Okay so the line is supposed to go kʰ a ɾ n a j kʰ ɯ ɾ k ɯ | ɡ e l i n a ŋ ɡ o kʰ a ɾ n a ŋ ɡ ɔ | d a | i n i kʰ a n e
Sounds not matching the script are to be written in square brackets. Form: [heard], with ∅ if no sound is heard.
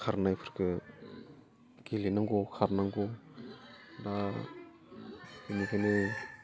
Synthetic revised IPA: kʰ a ɾ n a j [pʰ] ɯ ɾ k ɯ | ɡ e l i n a ŋ ɡ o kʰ a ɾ n a ŋ ɡ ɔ | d a | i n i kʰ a n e

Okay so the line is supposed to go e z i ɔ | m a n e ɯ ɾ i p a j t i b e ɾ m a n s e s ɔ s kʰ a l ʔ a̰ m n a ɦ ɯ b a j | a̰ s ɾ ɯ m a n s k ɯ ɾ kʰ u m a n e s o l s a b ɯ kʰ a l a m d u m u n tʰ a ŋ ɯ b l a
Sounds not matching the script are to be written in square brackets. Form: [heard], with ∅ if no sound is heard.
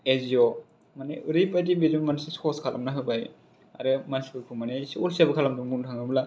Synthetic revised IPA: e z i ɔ | m a n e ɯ ɾ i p a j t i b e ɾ m a n s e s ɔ s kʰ a l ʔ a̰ m n a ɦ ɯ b a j | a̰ [∅] ɾ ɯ m a n s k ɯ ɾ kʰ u m a n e s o l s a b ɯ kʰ a l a m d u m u n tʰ a ŋ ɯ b l a

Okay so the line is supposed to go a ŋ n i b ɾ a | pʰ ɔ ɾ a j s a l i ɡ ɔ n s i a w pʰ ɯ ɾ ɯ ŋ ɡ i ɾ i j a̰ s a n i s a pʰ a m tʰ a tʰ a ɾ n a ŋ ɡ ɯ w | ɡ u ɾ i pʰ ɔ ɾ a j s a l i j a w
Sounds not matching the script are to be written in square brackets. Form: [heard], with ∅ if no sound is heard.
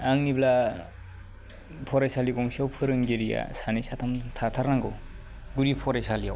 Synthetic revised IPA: a ŋ n i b [l] a | pʰ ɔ ɾ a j s a l i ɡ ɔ [ŋ] s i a w pʰ ɯ ɾ ɯ ŋ ɡ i ɾ i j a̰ s a n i s a [tʰ] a m tʰ a tʰ a ɾ n a ŋ ɡ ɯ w | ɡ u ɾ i pʰ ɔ ɾ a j s a l i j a w

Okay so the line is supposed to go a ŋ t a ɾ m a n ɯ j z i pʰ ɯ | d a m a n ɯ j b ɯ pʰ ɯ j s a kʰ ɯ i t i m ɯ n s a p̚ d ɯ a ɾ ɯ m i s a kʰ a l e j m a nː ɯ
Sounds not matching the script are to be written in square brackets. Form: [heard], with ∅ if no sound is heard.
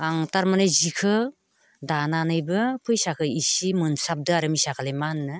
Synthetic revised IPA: a ŋ t a ɾ m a n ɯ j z i [kʰ] ɯ | d a [n] a n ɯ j b ɯ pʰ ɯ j s a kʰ ɯ i [s] i m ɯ n s a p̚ d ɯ a ɾ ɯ m i s a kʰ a l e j m a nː ɯ

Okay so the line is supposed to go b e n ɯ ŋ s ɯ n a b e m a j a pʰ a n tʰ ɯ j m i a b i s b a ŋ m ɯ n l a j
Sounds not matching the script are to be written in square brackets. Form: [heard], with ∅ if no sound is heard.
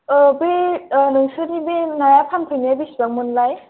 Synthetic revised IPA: b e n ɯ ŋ s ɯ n [i] b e [n] a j a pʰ a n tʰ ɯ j [n] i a b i s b a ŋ m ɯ n l a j

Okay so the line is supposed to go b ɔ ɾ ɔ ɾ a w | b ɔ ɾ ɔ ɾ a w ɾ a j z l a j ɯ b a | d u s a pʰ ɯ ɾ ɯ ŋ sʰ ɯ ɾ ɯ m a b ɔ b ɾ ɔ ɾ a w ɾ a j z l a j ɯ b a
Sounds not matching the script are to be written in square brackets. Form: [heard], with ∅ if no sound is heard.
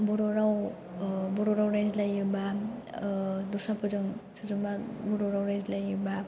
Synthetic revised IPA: b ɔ ɾ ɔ ɾ a w | b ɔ ɾ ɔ ɾ a w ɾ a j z l a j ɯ b a | d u s a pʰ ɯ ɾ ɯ ŋ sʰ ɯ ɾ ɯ m a b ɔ [∅] ɾ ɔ ɾ a w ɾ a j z l a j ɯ b a

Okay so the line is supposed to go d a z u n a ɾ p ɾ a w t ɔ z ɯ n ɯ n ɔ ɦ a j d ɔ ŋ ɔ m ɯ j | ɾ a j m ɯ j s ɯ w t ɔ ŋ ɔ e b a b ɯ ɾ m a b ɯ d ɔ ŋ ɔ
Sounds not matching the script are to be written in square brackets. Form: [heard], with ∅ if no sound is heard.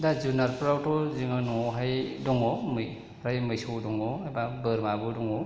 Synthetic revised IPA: d a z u n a ɾ p ɾ a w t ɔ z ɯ [ŋ] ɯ n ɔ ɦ a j d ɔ ŋ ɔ m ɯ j | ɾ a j m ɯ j s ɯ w [d] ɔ ŋ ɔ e b a b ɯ ɾ m a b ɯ d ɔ ŋ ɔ

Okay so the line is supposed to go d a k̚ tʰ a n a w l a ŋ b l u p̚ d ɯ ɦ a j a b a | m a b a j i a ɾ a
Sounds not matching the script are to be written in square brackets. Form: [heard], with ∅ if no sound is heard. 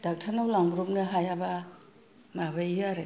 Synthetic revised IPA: d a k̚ tʰ a n a w l a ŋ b [ɾ] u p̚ [n] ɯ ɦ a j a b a | m a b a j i a ɾ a

